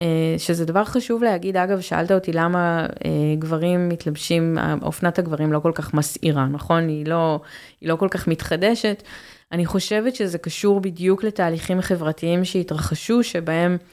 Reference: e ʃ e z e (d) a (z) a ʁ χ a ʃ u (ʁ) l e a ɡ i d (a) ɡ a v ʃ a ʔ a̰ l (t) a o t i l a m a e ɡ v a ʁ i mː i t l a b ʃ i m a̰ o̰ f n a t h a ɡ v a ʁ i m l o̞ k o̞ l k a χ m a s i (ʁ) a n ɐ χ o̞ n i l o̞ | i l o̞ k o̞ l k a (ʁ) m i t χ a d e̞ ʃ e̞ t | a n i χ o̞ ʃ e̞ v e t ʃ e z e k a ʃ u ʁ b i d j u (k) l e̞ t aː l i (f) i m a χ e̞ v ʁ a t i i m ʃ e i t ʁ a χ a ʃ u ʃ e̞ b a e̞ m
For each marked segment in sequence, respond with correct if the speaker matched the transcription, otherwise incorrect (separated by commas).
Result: correct, incorrect, incorrect, correct, correct, correct, incorrect, correct, incorrect